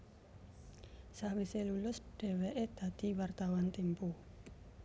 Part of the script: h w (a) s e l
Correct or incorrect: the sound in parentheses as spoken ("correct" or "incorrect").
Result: incorrect